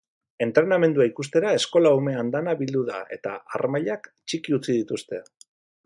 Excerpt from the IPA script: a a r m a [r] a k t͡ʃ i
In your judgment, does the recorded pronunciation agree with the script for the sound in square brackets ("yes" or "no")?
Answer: no